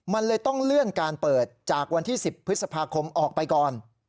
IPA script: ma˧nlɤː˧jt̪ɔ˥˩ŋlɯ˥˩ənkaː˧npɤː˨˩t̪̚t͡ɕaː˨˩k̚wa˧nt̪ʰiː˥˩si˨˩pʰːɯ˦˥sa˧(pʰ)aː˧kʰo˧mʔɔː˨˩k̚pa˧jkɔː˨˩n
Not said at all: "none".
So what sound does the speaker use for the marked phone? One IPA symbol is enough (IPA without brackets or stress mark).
pʰ